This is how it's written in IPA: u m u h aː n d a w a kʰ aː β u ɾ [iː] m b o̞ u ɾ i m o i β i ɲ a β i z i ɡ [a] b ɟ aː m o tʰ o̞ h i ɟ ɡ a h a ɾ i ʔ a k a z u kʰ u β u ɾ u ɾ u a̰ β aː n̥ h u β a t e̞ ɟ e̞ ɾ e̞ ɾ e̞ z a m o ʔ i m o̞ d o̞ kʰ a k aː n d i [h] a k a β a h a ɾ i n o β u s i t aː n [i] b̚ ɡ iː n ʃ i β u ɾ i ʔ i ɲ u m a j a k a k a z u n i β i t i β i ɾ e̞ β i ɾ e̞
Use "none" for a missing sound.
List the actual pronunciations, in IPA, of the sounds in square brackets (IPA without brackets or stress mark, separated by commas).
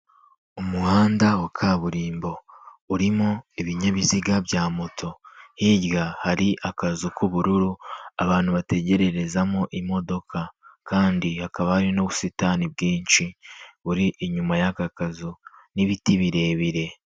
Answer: iː, a, h, i